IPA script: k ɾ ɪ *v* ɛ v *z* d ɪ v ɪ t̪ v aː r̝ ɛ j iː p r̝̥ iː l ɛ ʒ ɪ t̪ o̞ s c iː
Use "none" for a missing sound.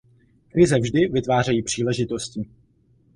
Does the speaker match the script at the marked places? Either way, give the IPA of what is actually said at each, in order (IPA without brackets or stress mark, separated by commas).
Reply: z, ʒ